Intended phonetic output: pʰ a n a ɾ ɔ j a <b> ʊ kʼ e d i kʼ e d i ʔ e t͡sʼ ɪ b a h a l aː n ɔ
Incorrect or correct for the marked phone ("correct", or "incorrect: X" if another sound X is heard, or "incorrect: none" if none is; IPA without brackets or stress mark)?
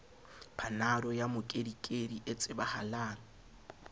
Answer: incorrect: m